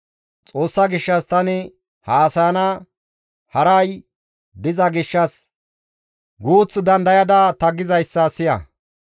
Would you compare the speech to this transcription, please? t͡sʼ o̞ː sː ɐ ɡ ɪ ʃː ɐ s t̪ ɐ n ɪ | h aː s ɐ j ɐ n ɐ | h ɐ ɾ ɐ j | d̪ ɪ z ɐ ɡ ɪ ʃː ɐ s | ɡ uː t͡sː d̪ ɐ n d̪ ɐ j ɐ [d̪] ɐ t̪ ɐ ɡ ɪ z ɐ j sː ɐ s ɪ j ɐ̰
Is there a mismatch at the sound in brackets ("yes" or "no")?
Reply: no